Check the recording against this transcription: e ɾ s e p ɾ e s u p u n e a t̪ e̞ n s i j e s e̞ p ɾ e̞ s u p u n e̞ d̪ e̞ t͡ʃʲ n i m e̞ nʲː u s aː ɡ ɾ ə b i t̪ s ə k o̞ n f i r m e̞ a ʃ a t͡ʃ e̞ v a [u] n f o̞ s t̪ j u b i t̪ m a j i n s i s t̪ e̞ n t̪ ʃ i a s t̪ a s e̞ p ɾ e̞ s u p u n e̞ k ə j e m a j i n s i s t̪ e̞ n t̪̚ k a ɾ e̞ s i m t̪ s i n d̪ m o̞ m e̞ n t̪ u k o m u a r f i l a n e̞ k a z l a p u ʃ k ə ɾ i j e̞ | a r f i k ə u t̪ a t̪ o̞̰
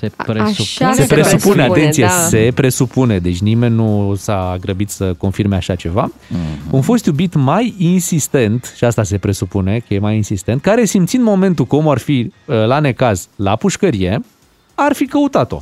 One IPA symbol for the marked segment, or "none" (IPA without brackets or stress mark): u